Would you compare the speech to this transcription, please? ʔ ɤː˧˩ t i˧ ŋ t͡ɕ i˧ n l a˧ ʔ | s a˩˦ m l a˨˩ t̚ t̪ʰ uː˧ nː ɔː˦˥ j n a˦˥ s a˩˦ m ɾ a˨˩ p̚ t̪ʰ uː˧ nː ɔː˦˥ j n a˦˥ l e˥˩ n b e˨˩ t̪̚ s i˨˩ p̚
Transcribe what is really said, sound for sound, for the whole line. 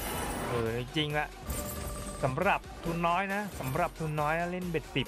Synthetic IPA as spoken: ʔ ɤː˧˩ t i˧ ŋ t͡ɕ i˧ ŋ l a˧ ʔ | s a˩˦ m ɾ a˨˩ p̚ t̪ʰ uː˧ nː ɔː˦˥ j n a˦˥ s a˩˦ m ɾ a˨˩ p̚ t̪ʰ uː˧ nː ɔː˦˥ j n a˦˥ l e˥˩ n b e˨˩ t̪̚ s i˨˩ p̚

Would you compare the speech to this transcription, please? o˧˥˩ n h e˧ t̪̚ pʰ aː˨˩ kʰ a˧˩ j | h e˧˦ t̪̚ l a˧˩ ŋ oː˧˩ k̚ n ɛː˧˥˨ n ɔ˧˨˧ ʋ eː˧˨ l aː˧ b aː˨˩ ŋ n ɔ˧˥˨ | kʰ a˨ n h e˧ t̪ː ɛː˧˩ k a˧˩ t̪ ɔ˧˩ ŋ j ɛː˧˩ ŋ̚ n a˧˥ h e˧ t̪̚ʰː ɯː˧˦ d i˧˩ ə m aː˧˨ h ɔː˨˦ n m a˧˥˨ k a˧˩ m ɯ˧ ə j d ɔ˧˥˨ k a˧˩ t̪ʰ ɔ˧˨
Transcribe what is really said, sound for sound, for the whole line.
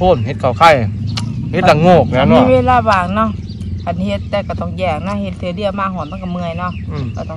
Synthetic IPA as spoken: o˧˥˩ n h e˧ t̪̚ kʰ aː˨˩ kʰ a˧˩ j | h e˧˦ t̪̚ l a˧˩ ŋ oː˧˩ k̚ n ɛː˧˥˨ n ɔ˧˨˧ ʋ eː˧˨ l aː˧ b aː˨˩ ŋ n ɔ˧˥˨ | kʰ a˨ n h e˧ t̪ː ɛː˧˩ k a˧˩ t̪ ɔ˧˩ ŋ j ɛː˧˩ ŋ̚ n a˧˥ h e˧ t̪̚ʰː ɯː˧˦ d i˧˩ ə m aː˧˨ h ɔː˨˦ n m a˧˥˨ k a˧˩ m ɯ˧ ə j n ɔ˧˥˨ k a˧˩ t̪ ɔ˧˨

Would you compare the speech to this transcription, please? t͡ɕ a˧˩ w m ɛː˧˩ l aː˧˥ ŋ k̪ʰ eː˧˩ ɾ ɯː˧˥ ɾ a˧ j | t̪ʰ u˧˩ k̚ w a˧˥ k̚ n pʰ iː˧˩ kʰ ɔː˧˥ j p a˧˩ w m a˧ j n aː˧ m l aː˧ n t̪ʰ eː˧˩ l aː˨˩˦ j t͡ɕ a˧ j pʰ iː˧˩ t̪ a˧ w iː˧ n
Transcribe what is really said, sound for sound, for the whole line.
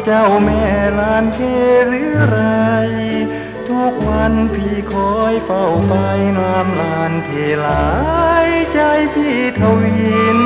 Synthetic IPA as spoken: t͡ɕ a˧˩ w m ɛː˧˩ l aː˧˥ n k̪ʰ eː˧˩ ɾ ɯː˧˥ ɾ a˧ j | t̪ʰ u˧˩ k̚ w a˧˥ n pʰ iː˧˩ kʰ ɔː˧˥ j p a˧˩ w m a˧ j n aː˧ m l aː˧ n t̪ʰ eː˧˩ l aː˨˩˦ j t͡ɕ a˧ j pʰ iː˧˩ t̪ʰ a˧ w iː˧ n

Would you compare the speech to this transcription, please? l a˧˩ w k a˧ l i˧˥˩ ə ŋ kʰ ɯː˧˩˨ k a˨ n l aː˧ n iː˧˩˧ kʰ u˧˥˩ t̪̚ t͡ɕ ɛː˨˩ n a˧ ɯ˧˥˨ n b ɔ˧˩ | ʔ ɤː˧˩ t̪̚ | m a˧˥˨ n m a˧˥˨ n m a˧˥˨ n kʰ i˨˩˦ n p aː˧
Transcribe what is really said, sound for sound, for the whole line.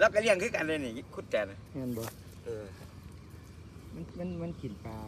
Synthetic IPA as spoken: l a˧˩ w k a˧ l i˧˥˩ ə ŋ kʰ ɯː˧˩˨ k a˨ n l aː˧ n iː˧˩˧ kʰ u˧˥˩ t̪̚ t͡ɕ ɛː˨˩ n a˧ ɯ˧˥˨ n b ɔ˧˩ | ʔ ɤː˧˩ | m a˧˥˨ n m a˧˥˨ n m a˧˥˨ n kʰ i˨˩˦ n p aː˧

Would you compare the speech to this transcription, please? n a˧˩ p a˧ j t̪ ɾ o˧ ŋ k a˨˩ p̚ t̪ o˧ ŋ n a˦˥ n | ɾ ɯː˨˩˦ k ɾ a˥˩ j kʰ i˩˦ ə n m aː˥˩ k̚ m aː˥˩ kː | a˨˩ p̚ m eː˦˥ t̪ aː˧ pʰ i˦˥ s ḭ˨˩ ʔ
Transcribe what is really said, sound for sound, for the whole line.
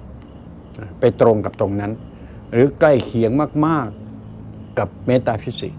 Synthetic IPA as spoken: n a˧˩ p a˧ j t̪ ɾ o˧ ŋ k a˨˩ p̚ t̪ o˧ ŋ n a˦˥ n | ɾ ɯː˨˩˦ k l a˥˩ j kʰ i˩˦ ə ŋ m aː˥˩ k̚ m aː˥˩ kː | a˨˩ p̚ m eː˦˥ t̪ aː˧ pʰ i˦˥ s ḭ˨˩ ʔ

